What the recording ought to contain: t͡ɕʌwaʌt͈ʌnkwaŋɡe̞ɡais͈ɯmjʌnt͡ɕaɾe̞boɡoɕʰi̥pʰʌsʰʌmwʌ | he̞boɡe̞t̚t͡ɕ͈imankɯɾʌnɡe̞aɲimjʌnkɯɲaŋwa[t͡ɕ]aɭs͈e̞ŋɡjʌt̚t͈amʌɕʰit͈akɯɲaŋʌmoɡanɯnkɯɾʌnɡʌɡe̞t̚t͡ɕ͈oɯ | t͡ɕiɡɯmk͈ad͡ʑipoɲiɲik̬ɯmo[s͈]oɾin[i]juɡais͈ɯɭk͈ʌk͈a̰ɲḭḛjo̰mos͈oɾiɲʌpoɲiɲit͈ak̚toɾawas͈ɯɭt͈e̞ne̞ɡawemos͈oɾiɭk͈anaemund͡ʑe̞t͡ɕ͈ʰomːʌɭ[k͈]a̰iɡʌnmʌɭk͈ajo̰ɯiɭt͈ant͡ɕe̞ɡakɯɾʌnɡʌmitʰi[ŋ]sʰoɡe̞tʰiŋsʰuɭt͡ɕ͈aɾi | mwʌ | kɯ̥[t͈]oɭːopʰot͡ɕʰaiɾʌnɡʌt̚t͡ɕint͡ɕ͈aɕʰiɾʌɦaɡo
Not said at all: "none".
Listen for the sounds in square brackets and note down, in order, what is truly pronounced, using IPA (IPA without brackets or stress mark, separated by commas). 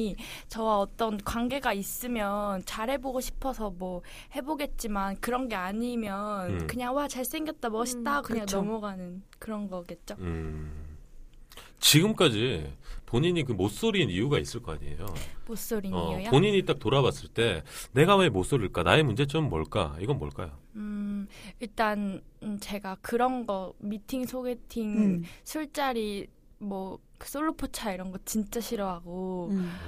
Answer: t͡ɕ, s͈, i, k͈, ŋ, s͈